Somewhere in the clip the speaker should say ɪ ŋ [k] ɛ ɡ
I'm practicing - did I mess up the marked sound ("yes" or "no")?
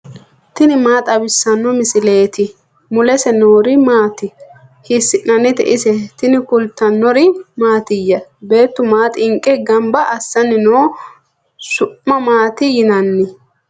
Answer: yes